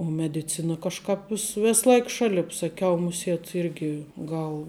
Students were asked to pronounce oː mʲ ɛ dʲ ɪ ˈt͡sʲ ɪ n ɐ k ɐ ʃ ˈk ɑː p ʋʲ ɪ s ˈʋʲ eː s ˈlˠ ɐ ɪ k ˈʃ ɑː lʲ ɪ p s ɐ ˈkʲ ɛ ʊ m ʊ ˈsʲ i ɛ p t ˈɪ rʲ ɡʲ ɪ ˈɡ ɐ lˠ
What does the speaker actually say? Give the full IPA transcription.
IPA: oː mʲ ɛ dʲ ɪ ˈt͡sʲ ɪ n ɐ k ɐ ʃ ˈk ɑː p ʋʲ ɪ s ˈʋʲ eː s ˈlˠ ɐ ɪ k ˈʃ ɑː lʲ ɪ p s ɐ ˈkʲ ɛ ʊ m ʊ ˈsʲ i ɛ t ˈɪ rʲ ɡʲ ɪ ˈɡ ɐ lˠ